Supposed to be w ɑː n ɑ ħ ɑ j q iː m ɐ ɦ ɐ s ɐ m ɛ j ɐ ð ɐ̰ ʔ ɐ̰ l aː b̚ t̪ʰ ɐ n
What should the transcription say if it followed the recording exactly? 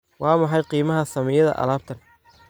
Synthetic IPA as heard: w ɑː m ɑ ħ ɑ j q iː m ɐ ɦ ɐ s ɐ m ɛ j ɐ ð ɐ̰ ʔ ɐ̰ l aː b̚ t̪ʰ ɐ n